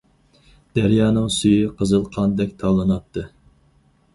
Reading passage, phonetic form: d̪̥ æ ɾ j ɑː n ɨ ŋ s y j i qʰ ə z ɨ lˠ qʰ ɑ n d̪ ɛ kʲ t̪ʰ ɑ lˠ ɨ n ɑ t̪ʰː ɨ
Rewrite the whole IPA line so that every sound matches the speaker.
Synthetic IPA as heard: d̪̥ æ ɾ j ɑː n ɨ ŋ s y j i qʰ ə z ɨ lˠ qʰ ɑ n d̪ ɛ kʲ t̪ʰ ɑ lˠ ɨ n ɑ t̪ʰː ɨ